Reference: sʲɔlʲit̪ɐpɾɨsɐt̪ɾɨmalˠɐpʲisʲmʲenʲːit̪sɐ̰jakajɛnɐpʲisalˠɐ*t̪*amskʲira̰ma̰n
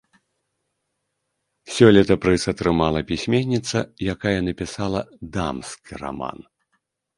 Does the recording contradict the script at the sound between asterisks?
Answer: yes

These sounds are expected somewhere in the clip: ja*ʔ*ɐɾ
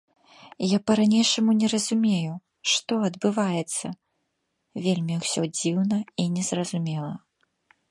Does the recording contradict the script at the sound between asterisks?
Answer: yes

